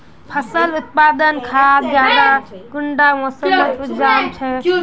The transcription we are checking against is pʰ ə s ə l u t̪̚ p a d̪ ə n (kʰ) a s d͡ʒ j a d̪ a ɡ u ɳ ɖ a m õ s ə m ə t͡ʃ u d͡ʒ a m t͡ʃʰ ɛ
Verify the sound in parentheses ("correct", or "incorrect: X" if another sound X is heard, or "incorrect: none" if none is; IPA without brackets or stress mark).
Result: correct